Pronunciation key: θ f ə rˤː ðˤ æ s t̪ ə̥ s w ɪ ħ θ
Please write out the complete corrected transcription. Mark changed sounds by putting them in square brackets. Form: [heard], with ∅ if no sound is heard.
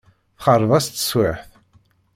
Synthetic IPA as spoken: θ [χ] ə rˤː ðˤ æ s t̪ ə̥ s w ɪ ħ θ